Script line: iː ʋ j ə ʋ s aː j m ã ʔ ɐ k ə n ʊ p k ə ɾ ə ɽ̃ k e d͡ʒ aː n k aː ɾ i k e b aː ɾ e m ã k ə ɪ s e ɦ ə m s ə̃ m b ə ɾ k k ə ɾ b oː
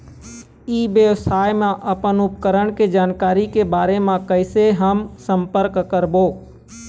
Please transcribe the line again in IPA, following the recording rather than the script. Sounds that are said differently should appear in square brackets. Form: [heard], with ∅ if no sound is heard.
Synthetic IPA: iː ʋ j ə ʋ s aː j m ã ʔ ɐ [p] ə n ʊ p k ə ɾ ə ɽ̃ k e d͡ʒ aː n k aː ɾ i k e b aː ɾ e m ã k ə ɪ s e ɦ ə m s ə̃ m [p] ə ɾ k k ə ɾ b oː